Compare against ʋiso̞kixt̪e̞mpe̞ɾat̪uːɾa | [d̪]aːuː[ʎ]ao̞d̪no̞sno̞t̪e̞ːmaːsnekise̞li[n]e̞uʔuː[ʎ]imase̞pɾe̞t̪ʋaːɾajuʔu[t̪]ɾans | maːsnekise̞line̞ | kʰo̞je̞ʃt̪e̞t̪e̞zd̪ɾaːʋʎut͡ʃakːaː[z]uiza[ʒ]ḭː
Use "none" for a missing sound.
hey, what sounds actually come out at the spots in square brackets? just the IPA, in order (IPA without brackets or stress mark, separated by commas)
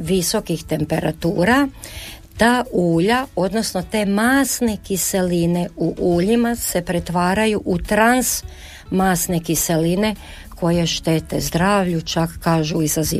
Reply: t̪, ʎ, n, ʎ, t̪, ʒ, z